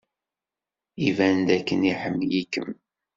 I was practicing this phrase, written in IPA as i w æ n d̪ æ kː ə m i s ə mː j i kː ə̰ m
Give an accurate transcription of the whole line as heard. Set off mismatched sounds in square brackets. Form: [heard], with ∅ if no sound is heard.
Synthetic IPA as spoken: i [v] æ n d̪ æ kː ə [n] i [ħ] ə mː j i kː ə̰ m

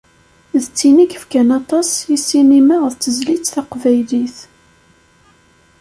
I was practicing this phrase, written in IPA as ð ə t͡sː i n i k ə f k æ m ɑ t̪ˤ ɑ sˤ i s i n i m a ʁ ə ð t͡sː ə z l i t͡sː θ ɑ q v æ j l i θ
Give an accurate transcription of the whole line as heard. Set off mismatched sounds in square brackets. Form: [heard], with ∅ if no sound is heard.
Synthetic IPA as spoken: ð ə t͡sː i n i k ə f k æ [n] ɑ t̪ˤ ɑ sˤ i s i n i m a ʁ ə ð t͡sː ə z l i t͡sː θ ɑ q v æ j l i θ

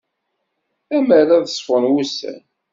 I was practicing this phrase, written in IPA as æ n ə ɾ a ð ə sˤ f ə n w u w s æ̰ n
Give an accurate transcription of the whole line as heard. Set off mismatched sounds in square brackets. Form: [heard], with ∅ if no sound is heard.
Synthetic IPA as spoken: æ [m] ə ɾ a ð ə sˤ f ə n w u [∅] s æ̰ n

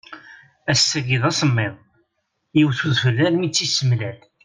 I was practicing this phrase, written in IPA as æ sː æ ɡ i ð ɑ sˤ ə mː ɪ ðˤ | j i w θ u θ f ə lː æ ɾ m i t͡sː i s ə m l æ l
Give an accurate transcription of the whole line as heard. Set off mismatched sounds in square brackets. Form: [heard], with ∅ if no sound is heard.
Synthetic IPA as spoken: æ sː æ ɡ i ð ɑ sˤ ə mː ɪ ðˤ | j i w θ u [ð] f ə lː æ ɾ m i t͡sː i s ə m l æ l

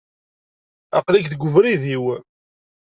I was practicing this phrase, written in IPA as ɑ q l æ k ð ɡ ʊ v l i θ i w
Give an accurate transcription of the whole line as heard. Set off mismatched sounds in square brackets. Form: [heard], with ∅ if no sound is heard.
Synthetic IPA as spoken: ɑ q l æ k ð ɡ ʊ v [ɾ] i [ð] i w

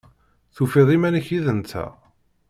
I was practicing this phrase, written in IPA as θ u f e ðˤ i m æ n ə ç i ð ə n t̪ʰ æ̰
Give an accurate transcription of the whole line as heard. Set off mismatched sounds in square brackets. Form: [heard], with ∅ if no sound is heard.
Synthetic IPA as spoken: θ u f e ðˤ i m æ n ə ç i ð ə n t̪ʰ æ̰

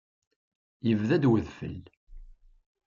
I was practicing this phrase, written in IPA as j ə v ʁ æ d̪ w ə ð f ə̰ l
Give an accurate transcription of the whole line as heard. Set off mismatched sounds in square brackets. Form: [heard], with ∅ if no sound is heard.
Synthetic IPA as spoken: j ə v [ð] æ d̪ w ə ð f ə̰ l

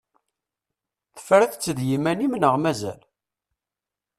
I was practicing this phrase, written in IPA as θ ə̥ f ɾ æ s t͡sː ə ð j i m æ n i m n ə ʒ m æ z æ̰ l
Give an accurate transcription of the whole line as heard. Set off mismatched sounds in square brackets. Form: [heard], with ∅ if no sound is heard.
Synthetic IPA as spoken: θ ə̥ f ɾ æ [θ] t͡sː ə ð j i m æ n i m n ə [ʁ] m æ z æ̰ l

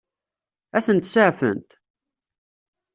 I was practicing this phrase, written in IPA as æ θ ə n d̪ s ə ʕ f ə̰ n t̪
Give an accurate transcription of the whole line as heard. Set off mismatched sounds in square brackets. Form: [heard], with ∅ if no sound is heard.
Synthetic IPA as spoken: æ θ ə n [t̪] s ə ʕ f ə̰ n t̪

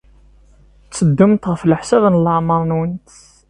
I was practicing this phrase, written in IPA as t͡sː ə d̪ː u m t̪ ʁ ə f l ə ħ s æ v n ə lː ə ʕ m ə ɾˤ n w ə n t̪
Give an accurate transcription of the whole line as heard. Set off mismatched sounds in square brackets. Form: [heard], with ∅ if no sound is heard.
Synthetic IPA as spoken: t͡sː ə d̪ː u m t̪ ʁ ə f l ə ħ s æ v n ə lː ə ʕ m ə ɾˤ n w ə n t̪

